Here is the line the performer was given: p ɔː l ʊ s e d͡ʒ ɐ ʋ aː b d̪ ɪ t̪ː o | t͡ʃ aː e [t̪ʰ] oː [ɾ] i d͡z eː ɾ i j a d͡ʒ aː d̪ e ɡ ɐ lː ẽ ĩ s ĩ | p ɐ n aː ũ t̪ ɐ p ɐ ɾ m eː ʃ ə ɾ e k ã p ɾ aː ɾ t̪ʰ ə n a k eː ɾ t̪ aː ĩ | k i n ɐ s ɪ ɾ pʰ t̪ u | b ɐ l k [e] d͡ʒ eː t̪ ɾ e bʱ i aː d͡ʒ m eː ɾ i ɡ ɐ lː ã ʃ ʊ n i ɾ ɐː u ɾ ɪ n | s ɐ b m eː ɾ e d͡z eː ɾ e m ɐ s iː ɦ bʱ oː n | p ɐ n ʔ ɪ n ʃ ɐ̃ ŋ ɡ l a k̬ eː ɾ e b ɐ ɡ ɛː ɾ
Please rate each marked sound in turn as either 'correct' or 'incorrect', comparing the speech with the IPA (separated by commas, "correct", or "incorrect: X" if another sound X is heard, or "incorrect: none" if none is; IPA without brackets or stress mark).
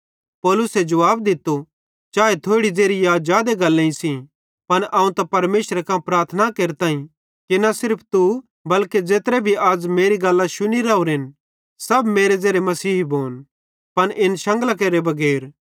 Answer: correct, incorrect: ɽ, correct